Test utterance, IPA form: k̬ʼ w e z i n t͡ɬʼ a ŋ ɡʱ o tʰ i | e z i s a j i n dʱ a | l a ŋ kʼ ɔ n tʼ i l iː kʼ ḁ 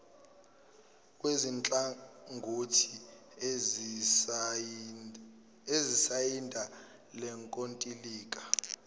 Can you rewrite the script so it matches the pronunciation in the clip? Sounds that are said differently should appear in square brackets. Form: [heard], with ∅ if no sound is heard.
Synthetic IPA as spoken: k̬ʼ w e z i n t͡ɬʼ a ŋ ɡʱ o tʰ i | e z i s a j i n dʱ a | l [ɛ] ŋ kʼ [o] n tʼ i l iː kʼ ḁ